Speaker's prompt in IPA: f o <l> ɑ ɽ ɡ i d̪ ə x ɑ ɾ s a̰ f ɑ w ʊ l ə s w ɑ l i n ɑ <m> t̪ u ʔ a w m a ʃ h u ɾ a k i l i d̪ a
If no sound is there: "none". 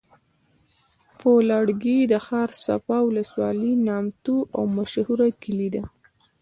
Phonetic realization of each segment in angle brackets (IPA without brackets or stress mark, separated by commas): l, m